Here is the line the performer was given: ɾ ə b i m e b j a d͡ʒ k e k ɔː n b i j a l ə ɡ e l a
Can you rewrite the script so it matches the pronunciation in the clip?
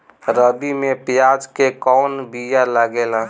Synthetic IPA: ɾ ə b i m e p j a d͡ʒ k e k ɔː n b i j a l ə ɡ e l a